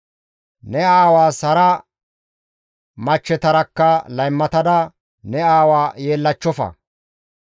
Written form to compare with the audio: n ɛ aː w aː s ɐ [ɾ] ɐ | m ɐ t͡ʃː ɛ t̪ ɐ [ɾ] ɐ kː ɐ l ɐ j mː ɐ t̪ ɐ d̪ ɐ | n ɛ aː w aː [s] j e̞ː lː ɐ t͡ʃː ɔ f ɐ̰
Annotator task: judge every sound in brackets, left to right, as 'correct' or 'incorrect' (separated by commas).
correct, correct, incorrect